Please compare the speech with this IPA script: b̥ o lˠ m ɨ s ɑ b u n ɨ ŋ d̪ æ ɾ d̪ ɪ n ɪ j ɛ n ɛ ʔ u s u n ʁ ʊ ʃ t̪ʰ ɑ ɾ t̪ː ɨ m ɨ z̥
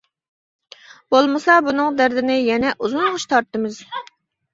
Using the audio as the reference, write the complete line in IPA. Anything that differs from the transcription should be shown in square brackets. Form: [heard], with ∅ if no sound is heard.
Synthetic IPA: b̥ o lˠ m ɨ s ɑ b u n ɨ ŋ d̪ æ ɾ d̪ ɪ n ɪ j ɛ n ɛ ʔ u [z] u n ʁ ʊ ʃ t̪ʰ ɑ ɾ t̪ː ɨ m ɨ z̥